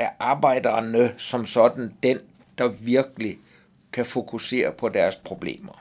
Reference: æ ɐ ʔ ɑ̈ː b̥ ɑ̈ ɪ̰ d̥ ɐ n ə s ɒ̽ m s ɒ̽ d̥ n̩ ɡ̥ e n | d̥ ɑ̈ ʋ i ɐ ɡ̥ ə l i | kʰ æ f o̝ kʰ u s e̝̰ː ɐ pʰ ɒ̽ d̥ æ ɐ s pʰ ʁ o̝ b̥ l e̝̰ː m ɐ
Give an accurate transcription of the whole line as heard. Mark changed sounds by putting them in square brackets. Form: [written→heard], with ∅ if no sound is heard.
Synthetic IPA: æ ɐ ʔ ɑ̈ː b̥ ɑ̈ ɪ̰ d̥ ɐ n ə s ɒ̽ m s ɒ̽ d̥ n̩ [ɡ̥→d̥] e n | d̥ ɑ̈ ʋ i ɐ ɡ̥ ə l i | kʰ æ f o̝ kʰ u s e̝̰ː ɐ pʰ ɒ̽ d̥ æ ɐ s pʰ ʁ o̝ b̥ l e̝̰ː m ɐ